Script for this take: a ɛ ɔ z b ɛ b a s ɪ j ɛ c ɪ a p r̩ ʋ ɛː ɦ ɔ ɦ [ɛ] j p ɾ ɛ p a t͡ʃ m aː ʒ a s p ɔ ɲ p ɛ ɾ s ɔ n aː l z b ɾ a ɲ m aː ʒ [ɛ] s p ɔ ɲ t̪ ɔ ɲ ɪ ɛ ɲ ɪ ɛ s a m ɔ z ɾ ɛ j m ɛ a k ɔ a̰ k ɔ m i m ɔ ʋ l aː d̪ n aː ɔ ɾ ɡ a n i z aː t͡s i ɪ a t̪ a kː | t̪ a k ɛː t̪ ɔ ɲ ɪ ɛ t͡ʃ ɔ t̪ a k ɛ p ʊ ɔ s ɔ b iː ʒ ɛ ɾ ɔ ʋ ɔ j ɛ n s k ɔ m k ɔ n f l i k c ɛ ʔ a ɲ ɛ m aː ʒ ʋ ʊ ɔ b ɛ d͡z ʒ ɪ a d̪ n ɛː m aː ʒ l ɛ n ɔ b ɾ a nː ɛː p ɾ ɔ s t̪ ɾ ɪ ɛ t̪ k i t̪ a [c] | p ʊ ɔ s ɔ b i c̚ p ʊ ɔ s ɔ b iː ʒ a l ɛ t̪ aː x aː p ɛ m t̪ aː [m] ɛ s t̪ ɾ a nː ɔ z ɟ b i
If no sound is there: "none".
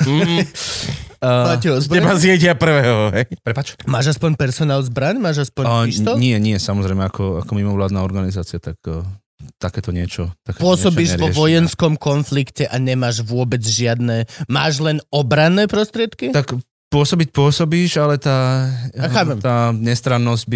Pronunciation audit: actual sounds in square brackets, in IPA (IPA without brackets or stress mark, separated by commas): ɛ, a, k, ɲ